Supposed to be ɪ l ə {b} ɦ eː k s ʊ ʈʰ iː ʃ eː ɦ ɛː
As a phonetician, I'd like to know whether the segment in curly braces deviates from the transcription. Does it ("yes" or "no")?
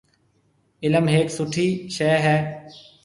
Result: yes